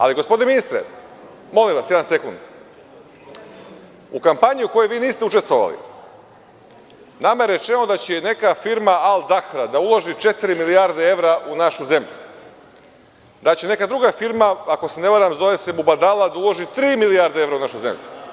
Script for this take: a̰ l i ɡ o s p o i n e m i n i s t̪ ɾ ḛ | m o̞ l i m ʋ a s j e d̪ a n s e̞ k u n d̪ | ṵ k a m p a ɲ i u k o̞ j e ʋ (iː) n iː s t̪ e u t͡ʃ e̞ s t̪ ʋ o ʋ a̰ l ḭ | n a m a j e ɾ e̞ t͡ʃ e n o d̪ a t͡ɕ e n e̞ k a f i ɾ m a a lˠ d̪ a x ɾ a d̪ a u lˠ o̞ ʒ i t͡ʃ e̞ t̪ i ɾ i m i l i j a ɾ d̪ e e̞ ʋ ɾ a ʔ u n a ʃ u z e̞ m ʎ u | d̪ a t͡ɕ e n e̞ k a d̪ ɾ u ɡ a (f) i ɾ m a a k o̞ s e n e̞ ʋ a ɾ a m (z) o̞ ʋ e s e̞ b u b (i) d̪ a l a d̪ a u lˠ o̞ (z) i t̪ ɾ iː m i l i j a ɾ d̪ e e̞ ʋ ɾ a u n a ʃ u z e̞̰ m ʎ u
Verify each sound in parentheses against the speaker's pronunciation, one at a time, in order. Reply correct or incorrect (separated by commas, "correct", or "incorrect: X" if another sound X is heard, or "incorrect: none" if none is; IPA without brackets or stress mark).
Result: correct, correct, correct, incorrect: a, incorrect: ʒ